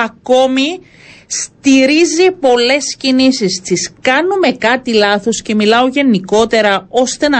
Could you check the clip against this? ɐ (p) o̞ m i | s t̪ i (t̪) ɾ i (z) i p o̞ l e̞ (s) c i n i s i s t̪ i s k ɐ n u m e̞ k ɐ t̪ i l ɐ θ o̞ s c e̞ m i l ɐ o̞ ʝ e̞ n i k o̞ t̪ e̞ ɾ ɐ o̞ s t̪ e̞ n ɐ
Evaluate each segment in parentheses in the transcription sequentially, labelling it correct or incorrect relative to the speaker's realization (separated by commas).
incorrect, incorrect, correct, correct